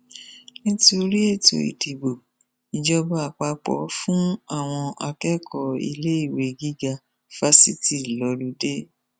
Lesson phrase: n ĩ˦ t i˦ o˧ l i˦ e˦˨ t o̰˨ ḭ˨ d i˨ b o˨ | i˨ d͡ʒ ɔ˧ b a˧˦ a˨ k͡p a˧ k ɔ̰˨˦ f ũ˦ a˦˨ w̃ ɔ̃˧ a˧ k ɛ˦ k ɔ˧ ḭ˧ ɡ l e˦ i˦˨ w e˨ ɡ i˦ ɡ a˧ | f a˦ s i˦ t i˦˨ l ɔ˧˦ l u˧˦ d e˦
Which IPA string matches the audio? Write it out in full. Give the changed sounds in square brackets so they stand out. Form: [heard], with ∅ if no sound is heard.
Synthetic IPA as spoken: n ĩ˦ t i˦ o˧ [ɾ] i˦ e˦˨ t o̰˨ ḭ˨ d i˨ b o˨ | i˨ d͡ʒ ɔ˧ b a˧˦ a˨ k͡p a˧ [k͡p] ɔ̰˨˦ f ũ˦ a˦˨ w̃ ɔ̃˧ a˧ k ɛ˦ k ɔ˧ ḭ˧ [∅] l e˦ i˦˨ w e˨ ɡ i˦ ɡ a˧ | f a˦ s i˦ t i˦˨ l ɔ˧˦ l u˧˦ d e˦